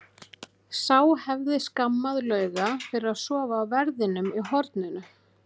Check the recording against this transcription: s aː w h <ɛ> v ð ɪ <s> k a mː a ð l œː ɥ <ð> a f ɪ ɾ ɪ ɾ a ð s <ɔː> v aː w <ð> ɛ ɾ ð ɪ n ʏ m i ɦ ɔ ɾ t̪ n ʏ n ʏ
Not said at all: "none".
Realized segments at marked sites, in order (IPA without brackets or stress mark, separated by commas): ɛ, s, ɣ, ɔː, v